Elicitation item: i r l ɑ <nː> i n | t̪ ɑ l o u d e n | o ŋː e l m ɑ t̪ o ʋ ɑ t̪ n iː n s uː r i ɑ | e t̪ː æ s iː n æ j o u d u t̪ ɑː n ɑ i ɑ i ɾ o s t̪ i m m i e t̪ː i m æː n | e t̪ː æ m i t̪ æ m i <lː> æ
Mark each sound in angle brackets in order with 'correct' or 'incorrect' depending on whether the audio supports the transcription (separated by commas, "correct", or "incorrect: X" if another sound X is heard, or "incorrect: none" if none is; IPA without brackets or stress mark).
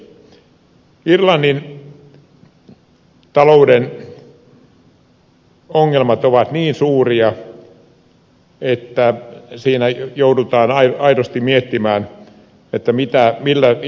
correct, correct